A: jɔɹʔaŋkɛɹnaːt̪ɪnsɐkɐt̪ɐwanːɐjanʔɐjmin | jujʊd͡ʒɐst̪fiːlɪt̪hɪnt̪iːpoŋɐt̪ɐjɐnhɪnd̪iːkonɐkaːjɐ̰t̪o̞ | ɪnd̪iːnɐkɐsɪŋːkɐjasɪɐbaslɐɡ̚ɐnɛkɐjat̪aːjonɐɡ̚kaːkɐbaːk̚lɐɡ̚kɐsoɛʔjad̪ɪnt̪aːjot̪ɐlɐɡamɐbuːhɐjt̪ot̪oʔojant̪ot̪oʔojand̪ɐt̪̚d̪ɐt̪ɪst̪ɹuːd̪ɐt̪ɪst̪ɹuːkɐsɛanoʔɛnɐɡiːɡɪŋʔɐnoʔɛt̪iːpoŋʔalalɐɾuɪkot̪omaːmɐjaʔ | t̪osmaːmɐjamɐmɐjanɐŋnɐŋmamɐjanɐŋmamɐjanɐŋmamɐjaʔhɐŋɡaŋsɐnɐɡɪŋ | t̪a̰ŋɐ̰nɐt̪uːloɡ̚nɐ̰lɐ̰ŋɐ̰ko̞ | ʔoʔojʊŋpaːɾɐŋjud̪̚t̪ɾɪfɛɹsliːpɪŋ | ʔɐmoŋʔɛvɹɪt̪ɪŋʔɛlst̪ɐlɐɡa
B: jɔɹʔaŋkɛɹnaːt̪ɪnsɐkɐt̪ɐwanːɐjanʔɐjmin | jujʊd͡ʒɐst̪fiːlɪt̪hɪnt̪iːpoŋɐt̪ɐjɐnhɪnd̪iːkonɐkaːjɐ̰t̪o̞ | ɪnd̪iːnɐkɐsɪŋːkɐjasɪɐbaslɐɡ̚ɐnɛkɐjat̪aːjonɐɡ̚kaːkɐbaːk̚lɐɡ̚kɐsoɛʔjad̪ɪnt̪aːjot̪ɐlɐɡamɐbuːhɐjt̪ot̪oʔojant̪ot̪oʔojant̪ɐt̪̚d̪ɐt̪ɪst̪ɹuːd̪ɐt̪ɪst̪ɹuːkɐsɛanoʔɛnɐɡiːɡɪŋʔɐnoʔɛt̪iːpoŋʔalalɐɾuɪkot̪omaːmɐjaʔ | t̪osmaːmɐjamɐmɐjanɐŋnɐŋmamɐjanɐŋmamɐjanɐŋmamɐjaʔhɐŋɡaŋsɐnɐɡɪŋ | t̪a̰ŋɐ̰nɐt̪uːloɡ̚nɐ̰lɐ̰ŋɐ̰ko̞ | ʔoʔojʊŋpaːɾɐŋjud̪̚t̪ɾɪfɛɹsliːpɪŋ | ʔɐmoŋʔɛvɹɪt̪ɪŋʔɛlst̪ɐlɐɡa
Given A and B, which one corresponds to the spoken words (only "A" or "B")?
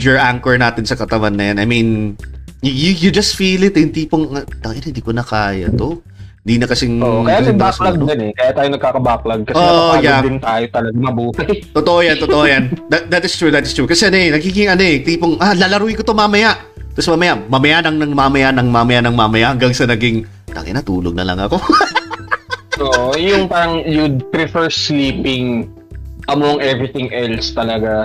A